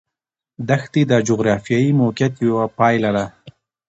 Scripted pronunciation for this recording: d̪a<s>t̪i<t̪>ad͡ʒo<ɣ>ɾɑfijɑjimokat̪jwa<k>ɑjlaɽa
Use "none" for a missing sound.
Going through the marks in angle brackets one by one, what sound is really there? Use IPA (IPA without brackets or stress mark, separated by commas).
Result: x, d̪, ɣ, p